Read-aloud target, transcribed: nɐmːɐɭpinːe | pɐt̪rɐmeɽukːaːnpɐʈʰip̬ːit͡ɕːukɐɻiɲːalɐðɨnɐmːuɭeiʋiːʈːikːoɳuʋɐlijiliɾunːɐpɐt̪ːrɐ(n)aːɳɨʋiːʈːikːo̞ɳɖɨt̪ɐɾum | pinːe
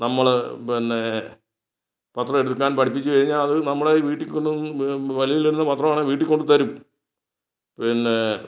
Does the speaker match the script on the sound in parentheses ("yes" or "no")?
no